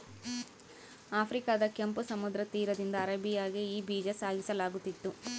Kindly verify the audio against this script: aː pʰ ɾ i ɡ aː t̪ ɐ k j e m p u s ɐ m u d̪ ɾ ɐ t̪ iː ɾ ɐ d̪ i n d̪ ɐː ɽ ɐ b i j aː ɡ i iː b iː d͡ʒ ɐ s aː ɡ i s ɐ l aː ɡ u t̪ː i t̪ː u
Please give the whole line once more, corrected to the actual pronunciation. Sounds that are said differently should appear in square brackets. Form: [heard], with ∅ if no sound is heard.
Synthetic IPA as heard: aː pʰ ɾ i [k] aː [d̪] ɐ k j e m p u s ɐ m u d̪ ɾ ɐ t̪ iː ɾ ɐ d̪ i n d̪ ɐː [ɾ] ɐ b i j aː ɡ i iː b iː d͡ʒ ɐ s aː ɡ i s ɐ l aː ɡ u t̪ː i t̪ː u